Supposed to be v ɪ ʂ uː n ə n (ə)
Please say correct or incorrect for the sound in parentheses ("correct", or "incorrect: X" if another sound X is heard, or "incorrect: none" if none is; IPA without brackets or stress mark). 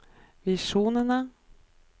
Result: incorrect: a